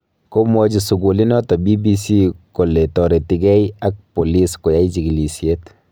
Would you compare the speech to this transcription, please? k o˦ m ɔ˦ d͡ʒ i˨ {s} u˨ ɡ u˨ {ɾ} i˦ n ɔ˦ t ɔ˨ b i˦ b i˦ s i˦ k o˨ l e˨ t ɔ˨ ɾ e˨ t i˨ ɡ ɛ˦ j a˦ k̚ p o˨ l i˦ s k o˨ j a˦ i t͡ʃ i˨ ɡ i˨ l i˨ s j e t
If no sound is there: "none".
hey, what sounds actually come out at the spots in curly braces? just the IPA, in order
s, l

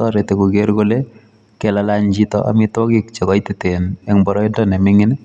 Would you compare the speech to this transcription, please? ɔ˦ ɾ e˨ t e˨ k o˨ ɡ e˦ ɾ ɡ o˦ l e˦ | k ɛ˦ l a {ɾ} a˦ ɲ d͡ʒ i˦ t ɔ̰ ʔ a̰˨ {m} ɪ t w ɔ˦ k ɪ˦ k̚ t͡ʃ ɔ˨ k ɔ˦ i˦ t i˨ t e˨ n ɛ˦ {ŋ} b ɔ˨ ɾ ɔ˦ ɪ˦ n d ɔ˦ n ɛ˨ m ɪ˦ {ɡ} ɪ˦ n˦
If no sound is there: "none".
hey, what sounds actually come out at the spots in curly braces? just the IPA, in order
l, m, ŋ, ŋ

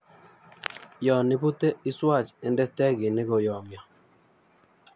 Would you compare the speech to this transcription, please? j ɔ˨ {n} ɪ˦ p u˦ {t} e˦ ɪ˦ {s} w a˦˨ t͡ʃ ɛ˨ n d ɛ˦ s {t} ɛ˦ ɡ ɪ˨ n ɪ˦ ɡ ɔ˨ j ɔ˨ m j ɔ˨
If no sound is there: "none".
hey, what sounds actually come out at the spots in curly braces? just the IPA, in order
n, t, s, t

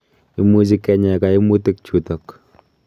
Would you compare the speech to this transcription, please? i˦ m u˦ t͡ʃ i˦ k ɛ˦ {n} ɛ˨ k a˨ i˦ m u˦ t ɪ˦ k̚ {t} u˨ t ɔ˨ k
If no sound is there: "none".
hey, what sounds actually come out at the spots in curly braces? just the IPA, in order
ɲ, t͡ʃ

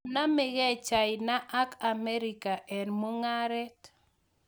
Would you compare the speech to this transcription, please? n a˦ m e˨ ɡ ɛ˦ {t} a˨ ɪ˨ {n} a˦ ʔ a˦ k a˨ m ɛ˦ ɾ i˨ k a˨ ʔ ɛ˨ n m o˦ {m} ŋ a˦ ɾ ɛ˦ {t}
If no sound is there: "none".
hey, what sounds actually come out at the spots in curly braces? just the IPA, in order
t͡ʃ, n, none, t

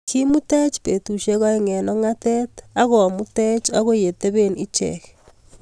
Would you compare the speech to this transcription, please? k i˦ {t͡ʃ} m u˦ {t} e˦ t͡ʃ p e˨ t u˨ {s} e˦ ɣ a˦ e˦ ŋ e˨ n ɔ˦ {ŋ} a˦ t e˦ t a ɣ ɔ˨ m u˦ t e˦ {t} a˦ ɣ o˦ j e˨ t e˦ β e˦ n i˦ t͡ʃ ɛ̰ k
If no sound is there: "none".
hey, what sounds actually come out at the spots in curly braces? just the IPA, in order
none, t, ʃ, ŋ, t͡ʃ

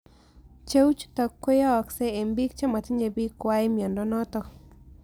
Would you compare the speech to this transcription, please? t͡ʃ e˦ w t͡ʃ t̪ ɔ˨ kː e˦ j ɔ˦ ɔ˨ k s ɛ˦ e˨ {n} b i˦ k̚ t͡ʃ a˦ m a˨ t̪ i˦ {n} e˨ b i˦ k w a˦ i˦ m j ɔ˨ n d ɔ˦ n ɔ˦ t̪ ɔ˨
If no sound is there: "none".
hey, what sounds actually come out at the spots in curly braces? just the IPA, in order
m, ɲ

